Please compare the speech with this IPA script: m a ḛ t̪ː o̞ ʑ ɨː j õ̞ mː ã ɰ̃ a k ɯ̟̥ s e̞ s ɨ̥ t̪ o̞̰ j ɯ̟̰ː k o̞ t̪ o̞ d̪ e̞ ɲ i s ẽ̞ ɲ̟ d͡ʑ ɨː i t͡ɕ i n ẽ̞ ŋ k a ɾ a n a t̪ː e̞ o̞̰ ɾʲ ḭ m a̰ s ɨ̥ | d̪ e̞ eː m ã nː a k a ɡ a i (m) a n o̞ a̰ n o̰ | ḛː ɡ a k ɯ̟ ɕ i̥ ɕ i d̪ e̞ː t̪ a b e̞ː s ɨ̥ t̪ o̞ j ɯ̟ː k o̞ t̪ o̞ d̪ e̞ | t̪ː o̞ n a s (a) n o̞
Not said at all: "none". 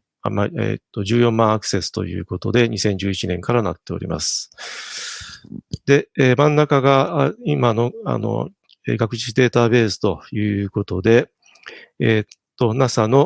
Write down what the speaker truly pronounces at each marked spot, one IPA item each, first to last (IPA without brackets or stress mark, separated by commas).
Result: m, a